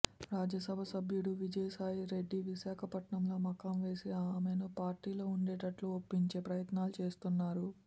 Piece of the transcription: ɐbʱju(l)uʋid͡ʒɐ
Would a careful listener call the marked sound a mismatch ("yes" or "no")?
yes